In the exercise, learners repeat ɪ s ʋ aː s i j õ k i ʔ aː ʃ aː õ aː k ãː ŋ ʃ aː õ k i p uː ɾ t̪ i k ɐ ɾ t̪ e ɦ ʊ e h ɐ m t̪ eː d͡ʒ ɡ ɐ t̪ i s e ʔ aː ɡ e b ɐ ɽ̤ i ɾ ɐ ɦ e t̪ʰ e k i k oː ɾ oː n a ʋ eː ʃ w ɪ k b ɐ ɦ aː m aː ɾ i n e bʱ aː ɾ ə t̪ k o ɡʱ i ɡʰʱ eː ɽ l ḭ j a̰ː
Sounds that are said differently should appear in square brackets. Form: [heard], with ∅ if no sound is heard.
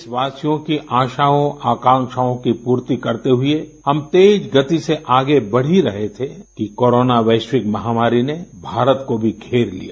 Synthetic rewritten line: ɪ s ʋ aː s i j õ k i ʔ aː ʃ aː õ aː k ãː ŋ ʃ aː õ k i p uː ɾ t̪ i k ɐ ɾ t̪ e ɦ ʊ e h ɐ m t̪ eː d͡ʒ ɡ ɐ t̪ i s e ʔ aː ɡ e b ɐ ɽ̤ i ɾ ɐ ɦ e t̪ʰ e k i k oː ɾ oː n a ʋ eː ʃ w ɪ k [m] ɐ ɦ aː m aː ɾ i n e bʱ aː ɾ ə t̪ k o [bʱ] i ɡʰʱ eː [ɾ] l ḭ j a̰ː